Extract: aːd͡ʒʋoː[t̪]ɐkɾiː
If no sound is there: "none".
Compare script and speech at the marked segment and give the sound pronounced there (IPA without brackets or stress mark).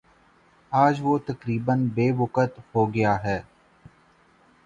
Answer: t̪